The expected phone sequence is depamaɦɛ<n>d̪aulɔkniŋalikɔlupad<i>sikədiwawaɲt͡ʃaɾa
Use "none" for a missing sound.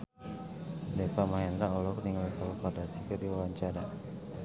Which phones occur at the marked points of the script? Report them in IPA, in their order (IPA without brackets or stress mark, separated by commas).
n, a